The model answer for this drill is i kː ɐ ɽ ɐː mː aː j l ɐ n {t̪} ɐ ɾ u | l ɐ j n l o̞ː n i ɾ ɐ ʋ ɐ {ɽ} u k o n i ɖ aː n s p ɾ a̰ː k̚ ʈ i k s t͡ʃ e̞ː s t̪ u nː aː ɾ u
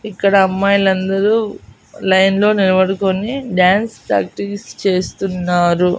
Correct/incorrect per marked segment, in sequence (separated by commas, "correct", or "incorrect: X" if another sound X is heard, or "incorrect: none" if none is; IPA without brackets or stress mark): incorrect: d̪, correct